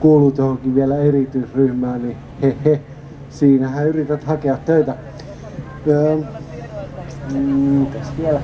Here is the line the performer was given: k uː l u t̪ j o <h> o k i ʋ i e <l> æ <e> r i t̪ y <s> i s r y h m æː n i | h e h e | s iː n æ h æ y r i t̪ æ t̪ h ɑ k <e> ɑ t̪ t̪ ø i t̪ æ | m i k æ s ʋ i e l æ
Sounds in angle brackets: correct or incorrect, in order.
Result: correct, correct, correct, incorrect: none, correct

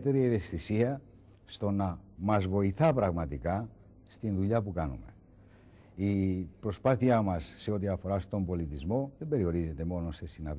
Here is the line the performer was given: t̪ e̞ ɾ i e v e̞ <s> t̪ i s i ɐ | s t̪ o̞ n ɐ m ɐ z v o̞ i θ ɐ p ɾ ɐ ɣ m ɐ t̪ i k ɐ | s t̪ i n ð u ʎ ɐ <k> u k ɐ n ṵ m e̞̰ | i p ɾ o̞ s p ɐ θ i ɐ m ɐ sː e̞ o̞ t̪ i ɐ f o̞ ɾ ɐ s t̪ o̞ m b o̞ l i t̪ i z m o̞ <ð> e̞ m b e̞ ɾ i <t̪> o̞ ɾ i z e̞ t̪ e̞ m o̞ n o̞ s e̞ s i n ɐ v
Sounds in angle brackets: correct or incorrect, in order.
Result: correct, incorrect: p, correct, incorrect: none

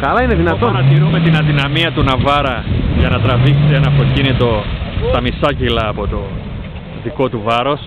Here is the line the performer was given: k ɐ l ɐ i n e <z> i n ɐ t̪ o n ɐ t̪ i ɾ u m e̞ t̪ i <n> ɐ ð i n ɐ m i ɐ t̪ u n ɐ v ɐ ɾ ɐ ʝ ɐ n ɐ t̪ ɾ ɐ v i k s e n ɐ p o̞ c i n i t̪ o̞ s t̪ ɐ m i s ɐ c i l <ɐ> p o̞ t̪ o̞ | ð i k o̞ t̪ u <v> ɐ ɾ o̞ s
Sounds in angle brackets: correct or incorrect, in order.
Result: incorrect: ð, correct, incorrect: ɐː, correct

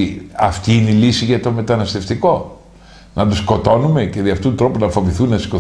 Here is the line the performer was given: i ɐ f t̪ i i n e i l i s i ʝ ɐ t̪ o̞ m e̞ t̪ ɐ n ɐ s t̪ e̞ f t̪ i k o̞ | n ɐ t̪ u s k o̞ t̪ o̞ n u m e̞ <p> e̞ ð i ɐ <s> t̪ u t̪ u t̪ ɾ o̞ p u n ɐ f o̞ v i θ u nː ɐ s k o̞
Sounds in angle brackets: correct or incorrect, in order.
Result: incorrect: c, incorrect: f

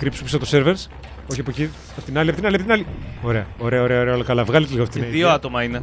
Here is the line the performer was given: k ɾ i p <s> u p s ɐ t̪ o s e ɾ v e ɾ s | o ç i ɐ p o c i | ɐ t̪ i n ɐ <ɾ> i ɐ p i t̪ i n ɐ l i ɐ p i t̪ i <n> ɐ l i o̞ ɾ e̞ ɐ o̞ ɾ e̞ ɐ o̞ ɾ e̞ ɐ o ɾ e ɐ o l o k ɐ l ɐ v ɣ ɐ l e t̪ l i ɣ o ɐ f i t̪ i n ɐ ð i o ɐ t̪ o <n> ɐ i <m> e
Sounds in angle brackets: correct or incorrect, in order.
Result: correct, incorrect: l, correct, incorrect: m, incorrect: n

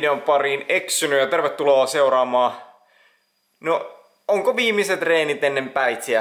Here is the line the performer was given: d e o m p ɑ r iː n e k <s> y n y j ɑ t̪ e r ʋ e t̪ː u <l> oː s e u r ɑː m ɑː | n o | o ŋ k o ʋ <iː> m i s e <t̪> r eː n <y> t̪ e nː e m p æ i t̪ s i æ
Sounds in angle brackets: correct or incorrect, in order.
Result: correct, correct, correct, correct, incorrect: i

